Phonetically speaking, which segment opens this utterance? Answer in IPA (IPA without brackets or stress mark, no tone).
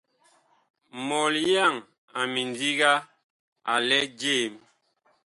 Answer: m